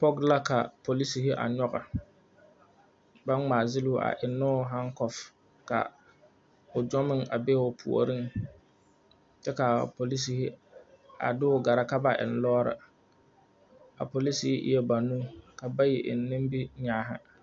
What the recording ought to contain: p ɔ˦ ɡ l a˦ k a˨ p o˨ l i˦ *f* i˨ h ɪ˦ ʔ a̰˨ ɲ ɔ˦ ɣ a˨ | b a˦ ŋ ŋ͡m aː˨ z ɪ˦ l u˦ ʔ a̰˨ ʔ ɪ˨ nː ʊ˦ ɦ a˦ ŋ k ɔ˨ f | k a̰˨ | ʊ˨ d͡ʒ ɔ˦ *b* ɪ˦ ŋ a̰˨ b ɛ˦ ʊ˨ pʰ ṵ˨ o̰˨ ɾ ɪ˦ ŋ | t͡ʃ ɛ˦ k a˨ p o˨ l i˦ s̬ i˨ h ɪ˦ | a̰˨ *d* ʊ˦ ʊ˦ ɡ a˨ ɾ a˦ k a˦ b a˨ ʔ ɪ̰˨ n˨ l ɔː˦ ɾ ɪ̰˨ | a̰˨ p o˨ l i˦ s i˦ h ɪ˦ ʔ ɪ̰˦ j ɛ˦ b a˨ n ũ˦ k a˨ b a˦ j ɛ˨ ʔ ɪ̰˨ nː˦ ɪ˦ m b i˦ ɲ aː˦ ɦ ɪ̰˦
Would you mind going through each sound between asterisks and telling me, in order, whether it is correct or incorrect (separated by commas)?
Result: incorrect, incorrect, correct